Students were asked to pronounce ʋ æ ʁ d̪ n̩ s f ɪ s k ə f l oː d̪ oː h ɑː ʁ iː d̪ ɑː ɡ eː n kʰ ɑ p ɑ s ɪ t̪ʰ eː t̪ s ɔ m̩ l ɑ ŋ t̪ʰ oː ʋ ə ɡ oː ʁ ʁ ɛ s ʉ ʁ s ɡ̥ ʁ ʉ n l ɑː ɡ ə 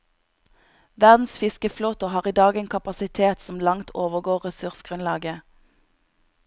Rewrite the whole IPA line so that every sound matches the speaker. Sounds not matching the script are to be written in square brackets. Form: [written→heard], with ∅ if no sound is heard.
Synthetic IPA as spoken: ʋ æ ʁ d̪ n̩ s f ɪ s k ə f l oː [d̪→t̪] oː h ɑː ʁ iː d̪ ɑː ɡ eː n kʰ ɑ p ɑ s ɪ t̪ʰ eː t̪ s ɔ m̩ l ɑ ŋ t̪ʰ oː ʋ ə ɡ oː ʁ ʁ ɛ s ʉ ʁ s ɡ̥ ʁ ʉ n l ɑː ɡ ə